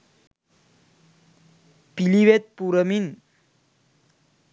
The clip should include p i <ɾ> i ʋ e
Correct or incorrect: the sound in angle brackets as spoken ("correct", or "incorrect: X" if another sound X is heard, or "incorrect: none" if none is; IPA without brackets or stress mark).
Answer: incorrect: l